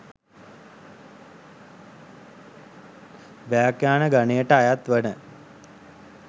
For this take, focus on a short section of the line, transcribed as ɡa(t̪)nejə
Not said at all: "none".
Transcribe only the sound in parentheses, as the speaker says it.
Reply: none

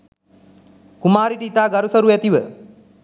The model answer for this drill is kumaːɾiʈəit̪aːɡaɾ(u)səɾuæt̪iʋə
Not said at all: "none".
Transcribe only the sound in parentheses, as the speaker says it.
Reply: u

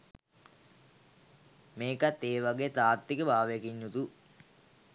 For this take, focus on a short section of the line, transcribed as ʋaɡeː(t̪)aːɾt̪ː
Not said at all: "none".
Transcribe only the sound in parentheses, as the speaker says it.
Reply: t̪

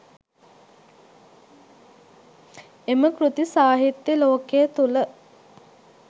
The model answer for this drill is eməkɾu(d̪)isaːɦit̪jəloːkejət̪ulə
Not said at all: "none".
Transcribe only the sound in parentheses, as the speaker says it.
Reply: t̪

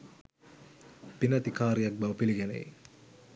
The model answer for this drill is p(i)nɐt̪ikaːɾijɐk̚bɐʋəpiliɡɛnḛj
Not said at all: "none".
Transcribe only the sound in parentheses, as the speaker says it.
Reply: i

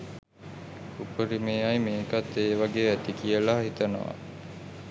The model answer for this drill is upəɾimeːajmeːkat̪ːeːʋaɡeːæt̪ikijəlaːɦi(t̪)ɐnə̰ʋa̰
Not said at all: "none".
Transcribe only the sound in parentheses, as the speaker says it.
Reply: t̪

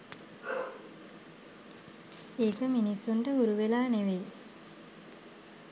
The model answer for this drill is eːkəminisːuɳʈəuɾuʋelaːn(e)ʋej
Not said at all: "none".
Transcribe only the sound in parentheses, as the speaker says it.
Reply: e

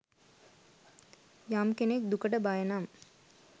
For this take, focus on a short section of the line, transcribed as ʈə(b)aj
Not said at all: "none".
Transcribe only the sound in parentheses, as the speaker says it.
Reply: b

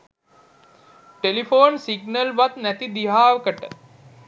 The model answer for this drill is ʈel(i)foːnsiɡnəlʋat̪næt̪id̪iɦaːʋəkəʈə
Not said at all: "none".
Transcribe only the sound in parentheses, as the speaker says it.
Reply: i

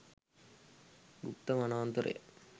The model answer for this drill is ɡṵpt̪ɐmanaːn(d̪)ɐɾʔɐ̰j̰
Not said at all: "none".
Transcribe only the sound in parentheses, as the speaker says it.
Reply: t̪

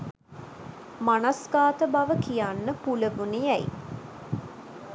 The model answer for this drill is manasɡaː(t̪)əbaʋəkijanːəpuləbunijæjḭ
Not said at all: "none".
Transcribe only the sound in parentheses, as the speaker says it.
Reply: t̪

